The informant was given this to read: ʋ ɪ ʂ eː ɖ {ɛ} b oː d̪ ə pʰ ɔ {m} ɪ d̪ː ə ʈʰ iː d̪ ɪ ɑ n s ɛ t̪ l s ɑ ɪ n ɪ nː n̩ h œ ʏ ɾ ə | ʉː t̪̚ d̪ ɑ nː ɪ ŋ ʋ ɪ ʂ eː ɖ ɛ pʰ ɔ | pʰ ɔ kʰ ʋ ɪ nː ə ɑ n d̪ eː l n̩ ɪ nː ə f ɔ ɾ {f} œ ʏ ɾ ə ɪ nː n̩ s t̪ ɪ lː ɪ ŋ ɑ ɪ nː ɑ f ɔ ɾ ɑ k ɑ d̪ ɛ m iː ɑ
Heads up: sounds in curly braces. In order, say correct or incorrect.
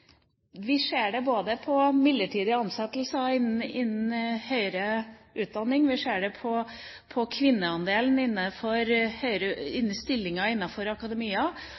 correct, correct, incorrect: h

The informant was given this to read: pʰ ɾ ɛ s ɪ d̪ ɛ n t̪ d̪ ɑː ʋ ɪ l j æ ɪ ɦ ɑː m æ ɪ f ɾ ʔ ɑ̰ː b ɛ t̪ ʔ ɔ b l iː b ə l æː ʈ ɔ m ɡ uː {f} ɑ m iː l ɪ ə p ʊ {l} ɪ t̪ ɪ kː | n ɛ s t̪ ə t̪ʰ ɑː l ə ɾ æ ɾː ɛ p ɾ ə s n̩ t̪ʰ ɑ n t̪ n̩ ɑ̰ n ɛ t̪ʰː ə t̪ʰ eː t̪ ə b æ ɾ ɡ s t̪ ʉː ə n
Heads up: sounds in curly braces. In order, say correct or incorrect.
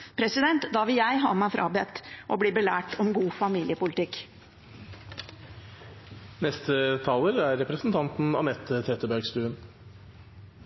correct, correct

